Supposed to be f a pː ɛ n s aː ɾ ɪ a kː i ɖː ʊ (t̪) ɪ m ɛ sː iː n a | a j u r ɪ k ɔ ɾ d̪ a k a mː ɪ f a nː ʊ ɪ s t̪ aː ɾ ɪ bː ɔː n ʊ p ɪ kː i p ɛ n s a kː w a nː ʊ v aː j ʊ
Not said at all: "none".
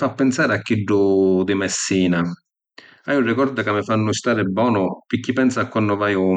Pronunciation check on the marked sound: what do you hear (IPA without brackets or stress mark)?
d̪